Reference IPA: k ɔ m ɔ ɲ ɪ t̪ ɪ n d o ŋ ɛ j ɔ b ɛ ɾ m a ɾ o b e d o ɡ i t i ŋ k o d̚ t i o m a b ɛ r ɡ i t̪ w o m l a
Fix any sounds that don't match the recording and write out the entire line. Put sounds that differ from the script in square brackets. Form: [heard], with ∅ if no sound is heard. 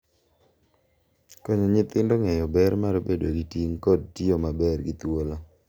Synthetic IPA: k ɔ [ɲ] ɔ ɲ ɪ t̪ ɪ n d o ŋ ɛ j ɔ b ɛ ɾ m a ɾ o b e d o ɡ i t i ŋ k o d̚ t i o m a b ɛ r ɡ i t̪ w o [∅] l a